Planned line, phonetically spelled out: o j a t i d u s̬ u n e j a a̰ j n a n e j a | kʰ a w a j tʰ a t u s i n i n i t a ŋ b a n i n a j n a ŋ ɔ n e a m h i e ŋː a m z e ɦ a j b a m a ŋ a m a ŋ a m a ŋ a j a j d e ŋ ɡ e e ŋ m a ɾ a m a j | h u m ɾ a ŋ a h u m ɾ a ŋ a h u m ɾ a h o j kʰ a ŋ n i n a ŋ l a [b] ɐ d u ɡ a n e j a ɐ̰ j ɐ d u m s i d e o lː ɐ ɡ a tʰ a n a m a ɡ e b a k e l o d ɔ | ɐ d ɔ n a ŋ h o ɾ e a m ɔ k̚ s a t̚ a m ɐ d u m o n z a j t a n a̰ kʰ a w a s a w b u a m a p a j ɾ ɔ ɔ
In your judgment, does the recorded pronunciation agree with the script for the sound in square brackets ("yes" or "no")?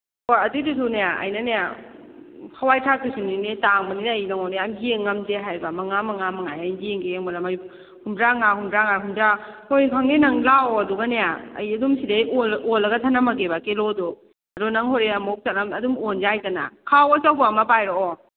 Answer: no